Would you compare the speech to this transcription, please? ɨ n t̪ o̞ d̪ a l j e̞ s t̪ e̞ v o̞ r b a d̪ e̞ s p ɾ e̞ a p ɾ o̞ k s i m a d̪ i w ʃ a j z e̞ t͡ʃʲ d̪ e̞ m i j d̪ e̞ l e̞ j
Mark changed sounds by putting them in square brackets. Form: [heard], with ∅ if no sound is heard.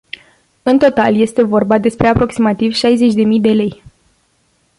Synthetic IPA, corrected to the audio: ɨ n t̪ o̞ [t̪] a l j e̞ s t̪ e̞ v o̞ r b a d̪ e̞ s p ɾ e̞ a p ɾ o̞ k s i m a [t̪] i [v] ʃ a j z e̞ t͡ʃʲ d̪ e̞ m i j d̪ e̞ l e̞ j